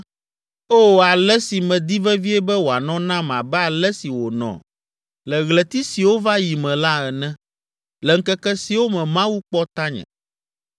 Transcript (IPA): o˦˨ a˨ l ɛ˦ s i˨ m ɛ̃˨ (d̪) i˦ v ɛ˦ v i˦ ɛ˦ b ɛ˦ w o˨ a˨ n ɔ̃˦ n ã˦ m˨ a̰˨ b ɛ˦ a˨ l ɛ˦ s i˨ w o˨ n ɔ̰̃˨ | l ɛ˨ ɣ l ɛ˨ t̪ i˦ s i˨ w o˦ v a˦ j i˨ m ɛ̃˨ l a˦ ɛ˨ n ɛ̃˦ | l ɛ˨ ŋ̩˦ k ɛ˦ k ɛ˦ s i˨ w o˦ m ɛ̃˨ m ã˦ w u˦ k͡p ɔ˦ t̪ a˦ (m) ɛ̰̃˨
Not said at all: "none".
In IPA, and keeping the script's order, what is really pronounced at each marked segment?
d̪, ɲ

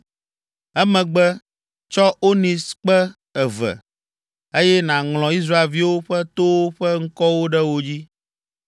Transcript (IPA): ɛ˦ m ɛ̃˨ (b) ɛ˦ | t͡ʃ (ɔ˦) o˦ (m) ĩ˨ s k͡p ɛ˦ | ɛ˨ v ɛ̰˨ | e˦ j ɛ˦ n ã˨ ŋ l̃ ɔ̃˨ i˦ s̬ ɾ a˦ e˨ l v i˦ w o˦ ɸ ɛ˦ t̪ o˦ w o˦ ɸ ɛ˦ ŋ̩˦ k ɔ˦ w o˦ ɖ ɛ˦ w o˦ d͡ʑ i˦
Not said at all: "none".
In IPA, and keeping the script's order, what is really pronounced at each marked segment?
ɡ͡b, ɔ˦, n

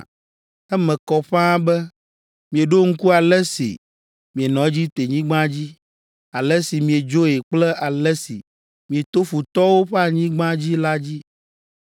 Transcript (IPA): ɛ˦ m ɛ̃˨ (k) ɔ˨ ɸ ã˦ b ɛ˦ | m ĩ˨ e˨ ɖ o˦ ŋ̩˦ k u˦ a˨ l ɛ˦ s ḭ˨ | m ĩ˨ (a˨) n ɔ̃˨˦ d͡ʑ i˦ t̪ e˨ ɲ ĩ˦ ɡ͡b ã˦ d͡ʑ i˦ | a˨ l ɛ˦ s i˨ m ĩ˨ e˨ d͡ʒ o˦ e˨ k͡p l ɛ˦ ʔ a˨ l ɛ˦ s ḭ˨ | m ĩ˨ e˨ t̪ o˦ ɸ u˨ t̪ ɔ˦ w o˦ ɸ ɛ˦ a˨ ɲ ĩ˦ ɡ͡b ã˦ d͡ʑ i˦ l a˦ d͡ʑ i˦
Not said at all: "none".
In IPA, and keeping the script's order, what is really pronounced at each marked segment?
k, e˨

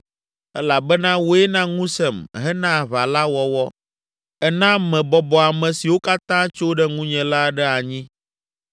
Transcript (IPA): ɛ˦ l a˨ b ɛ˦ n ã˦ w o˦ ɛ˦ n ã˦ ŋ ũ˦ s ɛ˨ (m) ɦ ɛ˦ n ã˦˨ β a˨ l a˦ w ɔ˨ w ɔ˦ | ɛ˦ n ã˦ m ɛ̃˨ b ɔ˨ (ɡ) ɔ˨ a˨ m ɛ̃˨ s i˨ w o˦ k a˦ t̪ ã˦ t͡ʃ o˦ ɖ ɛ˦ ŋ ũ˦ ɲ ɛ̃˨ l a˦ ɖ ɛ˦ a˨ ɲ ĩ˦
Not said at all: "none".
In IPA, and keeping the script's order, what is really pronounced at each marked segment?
m, b

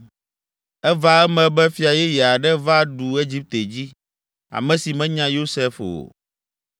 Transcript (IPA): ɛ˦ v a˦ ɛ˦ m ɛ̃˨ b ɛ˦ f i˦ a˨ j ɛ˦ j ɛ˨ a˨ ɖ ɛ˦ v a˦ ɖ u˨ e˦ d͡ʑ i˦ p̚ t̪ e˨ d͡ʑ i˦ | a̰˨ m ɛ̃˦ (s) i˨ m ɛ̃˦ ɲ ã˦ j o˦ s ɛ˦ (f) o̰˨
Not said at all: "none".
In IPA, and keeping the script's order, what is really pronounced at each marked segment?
s, f

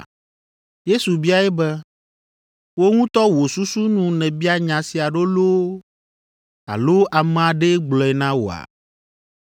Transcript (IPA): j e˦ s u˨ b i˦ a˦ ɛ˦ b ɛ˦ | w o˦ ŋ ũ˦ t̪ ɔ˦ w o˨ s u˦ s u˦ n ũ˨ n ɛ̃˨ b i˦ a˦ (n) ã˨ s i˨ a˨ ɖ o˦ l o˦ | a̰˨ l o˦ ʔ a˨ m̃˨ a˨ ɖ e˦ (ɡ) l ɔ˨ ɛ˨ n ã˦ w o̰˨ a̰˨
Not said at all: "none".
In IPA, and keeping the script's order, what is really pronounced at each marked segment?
ɲ, ɡ͡b

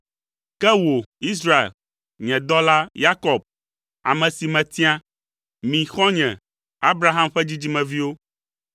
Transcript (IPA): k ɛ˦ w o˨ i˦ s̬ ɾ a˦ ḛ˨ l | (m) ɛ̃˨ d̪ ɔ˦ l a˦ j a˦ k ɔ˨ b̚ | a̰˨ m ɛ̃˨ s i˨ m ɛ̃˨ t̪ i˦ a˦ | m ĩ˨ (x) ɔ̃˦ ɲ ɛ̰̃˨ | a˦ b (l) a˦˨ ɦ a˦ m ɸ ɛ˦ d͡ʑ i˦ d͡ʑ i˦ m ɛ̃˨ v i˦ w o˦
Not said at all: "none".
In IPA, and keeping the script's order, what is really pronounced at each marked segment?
ɲ, x, ɾ

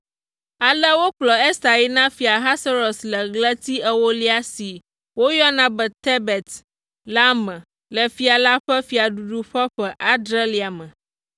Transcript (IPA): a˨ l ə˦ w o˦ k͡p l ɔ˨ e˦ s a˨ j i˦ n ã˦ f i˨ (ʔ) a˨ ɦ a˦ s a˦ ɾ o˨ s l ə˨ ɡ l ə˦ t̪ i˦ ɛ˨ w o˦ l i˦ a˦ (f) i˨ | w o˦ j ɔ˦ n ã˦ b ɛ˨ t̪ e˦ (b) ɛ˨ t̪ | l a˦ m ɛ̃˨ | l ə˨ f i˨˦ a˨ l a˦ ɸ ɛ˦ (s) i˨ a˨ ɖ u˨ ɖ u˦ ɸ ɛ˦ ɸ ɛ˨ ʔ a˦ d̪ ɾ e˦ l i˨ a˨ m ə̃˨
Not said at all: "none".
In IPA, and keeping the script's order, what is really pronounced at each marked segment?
none, s, b, f

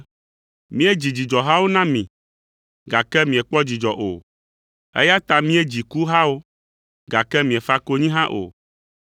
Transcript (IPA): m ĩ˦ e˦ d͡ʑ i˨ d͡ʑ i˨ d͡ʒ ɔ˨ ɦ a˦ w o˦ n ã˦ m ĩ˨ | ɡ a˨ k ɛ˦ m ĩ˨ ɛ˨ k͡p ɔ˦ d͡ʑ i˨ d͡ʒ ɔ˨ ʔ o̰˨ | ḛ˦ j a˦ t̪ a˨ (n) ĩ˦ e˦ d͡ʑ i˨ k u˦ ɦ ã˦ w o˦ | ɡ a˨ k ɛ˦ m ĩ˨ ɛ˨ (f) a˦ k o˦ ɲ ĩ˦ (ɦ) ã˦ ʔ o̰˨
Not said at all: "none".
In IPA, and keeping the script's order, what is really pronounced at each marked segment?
m, f, ɦ

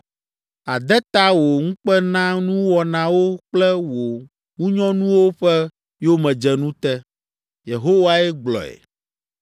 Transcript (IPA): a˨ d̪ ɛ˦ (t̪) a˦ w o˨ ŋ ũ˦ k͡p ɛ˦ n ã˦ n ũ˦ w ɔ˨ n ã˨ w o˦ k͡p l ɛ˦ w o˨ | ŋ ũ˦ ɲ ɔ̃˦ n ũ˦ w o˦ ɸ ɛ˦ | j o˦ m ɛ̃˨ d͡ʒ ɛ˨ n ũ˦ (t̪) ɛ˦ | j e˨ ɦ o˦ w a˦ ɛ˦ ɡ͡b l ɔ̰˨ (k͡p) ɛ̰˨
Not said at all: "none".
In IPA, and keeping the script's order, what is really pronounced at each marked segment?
t̪, t̪, none

